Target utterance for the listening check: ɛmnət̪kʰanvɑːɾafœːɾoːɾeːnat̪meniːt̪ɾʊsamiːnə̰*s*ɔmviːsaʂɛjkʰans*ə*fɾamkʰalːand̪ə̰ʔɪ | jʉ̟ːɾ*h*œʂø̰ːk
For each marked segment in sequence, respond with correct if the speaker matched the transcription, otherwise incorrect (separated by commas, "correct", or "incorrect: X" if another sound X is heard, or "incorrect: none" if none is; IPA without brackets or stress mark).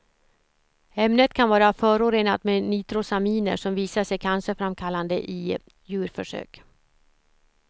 incorrect: ʂ, correct, incorrect: f